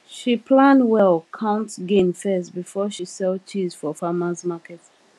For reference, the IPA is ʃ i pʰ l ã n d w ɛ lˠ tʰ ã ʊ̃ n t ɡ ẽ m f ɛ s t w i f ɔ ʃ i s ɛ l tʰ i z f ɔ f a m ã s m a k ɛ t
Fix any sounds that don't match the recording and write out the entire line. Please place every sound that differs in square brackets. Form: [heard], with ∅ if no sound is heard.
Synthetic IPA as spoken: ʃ i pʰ l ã n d w ɛ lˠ [kʰ] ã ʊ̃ n t ɡ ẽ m f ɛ s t [b] i f ɔ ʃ i s ɛ l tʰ i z f ɔ f a m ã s m a k ɛ t